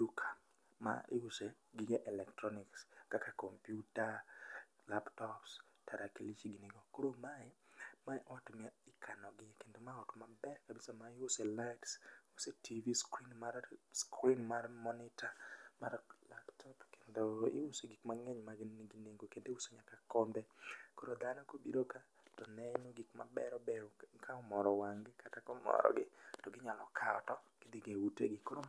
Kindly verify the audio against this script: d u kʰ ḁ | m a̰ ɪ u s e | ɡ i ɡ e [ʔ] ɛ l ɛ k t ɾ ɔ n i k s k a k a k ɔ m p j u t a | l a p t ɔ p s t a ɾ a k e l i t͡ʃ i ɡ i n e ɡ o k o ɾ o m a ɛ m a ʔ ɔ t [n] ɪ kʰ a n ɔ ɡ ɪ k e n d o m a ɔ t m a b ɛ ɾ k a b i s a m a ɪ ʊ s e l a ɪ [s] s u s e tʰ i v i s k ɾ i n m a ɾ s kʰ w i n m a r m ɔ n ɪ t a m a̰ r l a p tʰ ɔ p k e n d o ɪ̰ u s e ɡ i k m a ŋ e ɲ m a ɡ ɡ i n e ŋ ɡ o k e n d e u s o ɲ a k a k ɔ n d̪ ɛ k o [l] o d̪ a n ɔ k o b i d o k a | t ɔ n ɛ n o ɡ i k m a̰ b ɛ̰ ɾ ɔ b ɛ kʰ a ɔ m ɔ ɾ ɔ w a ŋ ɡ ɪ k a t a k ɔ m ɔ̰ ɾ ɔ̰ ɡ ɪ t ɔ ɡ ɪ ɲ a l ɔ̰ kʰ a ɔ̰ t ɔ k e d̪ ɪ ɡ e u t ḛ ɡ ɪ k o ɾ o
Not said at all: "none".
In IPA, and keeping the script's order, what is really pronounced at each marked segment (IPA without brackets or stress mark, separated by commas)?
ʔ, m, t, ɾ